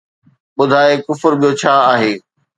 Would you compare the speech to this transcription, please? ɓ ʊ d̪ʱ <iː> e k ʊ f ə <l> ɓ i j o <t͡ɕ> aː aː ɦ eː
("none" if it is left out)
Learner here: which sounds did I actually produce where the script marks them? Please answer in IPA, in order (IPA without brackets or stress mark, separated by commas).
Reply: aː, ɾ, t͡ɕʰ